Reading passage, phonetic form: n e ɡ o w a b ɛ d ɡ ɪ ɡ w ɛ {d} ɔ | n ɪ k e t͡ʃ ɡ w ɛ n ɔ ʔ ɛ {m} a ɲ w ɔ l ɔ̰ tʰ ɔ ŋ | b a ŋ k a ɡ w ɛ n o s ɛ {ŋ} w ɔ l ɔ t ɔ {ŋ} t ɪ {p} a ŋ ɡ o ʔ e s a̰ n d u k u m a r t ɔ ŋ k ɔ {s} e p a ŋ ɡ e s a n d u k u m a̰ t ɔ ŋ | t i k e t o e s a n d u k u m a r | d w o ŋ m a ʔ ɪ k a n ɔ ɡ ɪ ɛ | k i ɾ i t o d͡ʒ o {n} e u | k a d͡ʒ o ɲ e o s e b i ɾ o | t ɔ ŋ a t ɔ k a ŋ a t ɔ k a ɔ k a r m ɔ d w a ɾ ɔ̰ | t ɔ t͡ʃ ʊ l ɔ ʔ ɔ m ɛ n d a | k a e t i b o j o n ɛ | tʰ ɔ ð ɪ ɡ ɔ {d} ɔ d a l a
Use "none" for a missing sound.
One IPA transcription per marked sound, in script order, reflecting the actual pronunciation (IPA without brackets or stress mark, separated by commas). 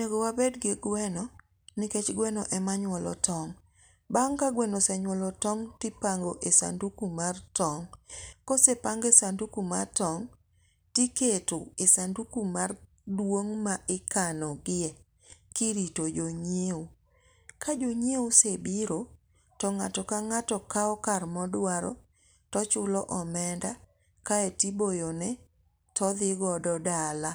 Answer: n, m, ɲ, ŋ, p, s, ɲ, d